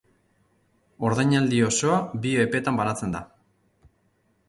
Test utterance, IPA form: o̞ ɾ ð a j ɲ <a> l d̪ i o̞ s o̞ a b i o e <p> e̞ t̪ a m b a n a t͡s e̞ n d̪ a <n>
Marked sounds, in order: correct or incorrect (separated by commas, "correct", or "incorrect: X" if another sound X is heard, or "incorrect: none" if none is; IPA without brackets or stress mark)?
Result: correct, correct, incorrect: none